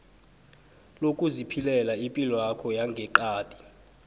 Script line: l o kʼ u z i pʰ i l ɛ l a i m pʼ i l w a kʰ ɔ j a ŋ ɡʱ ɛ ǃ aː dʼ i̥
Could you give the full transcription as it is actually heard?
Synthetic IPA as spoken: l o kʼ u z i pʰ i l ɛ l a i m pʼ i l w a kʰ ɔ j a ŋ ɡʱ ɛ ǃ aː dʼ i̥